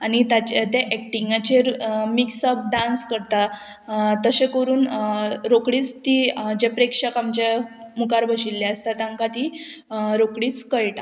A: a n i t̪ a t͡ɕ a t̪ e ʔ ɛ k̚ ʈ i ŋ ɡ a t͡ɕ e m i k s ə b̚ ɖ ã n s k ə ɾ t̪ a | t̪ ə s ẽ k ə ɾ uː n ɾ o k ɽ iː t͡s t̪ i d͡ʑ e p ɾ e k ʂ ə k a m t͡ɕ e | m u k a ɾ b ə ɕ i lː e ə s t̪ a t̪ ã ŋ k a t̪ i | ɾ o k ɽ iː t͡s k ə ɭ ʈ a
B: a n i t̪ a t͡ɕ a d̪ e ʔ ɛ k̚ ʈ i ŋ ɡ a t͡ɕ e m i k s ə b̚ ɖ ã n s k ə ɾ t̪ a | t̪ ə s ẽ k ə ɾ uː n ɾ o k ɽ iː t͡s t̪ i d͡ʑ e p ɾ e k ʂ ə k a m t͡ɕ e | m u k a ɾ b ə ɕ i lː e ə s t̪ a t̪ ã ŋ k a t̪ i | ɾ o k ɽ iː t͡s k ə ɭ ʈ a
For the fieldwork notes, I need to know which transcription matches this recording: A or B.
A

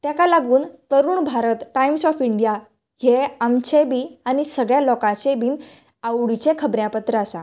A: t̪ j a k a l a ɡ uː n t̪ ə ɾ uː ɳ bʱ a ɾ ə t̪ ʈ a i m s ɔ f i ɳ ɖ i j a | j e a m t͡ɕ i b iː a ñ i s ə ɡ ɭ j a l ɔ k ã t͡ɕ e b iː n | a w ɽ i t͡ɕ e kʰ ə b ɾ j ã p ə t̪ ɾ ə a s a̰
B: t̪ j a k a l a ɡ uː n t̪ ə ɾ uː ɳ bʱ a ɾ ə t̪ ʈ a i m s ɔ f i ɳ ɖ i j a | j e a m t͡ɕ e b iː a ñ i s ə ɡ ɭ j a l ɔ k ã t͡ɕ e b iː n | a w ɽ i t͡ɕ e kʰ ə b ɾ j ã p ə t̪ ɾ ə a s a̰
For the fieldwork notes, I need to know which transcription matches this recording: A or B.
B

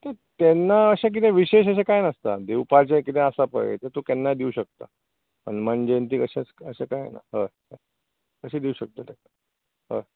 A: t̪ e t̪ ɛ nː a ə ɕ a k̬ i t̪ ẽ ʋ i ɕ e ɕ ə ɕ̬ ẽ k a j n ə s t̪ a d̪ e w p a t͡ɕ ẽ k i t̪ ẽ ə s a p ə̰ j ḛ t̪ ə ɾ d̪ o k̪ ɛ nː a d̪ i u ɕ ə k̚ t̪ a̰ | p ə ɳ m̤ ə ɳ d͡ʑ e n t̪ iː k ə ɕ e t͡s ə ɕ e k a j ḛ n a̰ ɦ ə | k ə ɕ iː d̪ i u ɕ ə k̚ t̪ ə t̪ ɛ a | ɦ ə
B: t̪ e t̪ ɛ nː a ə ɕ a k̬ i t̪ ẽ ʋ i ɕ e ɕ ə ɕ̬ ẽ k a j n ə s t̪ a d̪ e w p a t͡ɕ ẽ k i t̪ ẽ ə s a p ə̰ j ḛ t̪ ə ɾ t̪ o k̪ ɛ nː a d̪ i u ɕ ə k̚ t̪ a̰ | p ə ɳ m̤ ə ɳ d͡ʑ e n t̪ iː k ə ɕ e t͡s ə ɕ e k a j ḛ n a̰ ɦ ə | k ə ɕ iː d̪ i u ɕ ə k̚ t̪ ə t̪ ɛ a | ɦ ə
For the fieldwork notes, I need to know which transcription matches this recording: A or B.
B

